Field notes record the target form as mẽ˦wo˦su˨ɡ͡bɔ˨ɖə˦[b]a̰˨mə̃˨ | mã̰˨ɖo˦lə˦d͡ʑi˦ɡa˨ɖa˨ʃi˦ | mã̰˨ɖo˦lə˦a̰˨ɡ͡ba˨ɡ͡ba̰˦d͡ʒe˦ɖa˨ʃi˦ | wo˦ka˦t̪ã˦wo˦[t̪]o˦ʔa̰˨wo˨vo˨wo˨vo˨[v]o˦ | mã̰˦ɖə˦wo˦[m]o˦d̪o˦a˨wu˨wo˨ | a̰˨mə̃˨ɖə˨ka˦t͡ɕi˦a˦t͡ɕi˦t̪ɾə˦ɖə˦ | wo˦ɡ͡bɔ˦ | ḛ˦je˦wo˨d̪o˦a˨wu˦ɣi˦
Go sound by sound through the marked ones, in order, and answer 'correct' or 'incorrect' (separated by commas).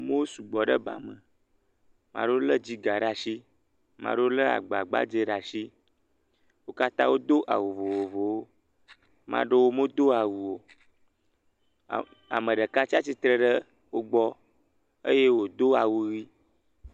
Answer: correct, incorrect, incorrect, correct